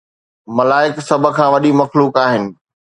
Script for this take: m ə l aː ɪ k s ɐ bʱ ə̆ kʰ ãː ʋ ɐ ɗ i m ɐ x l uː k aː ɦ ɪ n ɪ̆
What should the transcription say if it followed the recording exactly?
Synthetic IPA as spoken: m ɐ l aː ɪ k s ɐ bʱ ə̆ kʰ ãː ʋ ɐ ɗ i m ɐ x l uː k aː ɦ ɪ n ɪ̆